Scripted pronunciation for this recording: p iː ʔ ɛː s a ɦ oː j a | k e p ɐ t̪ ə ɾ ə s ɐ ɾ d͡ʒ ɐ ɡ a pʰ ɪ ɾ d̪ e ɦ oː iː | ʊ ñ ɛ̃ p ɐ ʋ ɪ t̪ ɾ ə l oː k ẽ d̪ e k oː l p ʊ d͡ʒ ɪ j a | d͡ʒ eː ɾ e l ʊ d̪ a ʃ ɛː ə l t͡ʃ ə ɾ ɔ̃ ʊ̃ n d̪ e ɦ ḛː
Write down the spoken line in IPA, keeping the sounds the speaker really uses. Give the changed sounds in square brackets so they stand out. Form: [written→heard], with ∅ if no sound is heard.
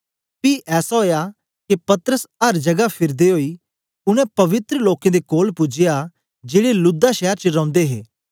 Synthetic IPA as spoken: p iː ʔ ɛː s a ɦ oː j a | k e p ɐ t̪ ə ɾ ə s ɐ ɾ d͡ʒ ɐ ɡ a pʰ ɪ ɾ d̪ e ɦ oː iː | ʊ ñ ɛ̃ p ɐ ʋ ɪ t̪ ɾ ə l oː k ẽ d̪ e k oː l p ʊ d͡ʒ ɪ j a | d͡ʒ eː [ɾ→ɽ] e l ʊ d̪ a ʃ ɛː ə [l→ɾ] t͡ʃ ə ɾ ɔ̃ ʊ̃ n d̪ e ɦ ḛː